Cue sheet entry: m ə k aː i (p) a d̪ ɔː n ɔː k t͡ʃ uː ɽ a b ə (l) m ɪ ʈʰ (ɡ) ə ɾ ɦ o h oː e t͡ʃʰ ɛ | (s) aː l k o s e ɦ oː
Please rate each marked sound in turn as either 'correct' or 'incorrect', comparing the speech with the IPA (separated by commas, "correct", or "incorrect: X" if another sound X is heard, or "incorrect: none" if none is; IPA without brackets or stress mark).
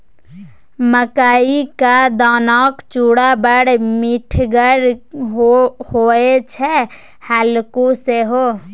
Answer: incorrect: k, incorrect: ɽ, correct, incorrect: h